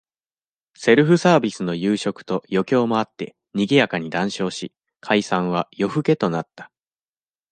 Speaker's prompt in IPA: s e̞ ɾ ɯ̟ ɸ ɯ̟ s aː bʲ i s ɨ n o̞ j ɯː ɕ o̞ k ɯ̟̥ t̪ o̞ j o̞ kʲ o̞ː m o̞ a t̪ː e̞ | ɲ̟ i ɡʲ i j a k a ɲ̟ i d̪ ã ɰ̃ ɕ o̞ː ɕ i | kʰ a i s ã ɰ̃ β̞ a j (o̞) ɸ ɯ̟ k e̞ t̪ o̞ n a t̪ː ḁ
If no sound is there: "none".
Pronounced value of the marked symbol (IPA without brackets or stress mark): o̞